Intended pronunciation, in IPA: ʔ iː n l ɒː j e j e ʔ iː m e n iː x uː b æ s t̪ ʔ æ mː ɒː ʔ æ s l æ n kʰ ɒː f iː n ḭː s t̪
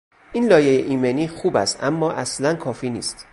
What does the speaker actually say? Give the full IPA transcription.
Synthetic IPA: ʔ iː n l ɒː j e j e ʔ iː m e n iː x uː b æ s t̪ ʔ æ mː ɒː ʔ æ s l æ n kʰ ɒː f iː n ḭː s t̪